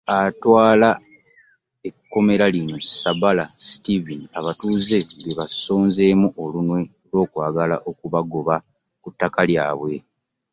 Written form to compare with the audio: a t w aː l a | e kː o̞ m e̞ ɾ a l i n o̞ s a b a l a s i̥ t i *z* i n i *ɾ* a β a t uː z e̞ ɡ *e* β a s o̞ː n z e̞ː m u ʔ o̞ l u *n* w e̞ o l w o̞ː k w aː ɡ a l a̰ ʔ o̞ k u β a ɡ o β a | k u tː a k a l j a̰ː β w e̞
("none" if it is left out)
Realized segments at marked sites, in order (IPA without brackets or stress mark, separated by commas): v, none, e, n